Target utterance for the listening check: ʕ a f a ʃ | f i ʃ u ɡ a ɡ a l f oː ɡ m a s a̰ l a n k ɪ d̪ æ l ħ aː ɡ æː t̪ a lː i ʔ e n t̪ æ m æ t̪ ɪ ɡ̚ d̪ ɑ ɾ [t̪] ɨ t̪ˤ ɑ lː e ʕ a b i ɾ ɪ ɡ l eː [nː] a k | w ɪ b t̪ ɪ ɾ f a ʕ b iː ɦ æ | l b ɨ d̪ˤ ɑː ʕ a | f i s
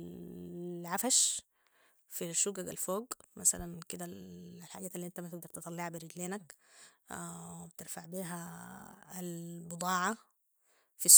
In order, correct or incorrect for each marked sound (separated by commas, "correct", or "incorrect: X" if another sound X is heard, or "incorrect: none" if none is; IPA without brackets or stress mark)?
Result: correct, incorrect: n